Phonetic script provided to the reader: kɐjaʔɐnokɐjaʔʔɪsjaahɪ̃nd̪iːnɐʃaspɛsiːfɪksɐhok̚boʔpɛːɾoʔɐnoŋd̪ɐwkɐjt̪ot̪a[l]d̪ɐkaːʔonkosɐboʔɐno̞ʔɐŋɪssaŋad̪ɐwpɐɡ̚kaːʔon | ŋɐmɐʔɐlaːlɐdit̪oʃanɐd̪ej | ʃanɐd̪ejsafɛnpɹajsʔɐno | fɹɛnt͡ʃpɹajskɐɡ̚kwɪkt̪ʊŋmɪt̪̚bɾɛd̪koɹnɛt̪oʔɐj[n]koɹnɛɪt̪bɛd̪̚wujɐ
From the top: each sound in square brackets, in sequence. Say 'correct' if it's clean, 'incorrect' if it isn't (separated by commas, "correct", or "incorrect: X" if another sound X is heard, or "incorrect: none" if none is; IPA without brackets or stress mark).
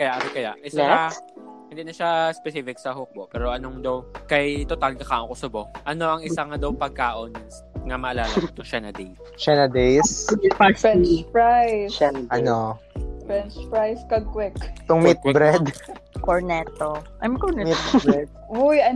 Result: correct, incorrect: m